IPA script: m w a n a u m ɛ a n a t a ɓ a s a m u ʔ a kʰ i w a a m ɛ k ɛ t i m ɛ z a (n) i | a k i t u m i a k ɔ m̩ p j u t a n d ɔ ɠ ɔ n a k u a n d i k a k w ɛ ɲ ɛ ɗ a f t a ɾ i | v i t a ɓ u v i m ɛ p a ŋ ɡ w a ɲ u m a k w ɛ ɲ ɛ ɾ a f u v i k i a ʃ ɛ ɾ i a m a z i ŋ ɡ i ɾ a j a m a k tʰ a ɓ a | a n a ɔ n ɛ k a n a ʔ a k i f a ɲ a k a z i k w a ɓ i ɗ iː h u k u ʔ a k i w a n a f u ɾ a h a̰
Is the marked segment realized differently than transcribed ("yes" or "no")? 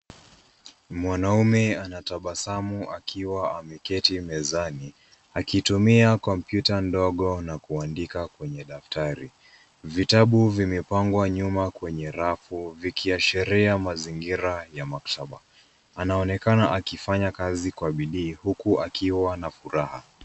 no